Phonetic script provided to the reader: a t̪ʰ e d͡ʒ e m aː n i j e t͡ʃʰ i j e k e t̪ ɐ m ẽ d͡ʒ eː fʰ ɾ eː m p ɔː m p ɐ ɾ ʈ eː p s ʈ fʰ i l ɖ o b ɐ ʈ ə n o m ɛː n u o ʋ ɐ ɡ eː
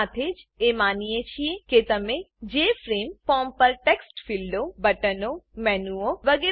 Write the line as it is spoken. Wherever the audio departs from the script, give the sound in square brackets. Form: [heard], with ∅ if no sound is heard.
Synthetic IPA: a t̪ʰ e d͡ʒ e m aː n i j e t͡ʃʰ i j e k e t̪ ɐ m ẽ d͡ʒ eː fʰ ɾ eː m p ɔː m p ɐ ɾ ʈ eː [k] s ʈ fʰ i l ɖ o b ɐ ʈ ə n o m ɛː n u o ʋ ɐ ɡ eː